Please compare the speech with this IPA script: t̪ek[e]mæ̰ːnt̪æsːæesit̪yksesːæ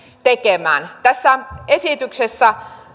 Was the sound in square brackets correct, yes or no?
yes